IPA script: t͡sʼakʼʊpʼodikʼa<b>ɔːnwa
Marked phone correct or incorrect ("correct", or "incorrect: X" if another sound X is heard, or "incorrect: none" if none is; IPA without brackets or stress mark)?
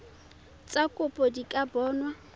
correct